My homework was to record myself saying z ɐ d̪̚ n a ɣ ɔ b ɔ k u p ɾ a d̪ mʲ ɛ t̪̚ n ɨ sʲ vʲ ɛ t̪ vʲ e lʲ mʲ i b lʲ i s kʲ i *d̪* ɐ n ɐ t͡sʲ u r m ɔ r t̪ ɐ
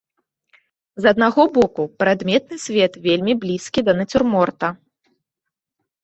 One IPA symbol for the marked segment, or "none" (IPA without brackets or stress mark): d̪